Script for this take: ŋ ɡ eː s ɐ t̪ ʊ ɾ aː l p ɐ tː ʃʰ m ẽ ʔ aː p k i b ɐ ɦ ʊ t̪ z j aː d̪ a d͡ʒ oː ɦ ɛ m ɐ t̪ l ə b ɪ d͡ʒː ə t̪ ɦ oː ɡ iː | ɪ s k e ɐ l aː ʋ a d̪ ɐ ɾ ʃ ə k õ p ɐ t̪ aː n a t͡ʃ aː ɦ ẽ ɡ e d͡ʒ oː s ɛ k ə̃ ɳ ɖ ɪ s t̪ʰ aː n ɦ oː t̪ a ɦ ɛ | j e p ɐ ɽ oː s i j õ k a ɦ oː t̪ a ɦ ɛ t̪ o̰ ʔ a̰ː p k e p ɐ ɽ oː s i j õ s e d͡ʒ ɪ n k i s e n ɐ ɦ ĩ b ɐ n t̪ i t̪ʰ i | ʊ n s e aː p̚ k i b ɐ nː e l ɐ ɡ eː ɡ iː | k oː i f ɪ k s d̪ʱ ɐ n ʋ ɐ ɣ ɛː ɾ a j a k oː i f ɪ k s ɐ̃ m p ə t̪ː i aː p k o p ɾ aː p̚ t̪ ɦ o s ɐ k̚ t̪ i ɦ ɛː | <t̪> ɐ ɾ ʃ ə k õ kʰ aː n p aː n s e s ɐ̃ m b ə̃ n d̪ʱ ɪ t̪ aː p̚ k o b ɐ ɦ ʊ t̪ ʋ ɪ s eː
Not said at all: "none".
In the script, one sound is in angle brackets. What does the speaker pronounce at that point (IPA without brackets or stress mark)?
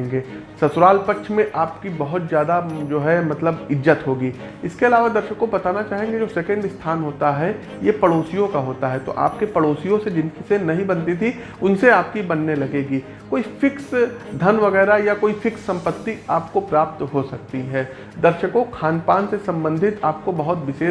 d̪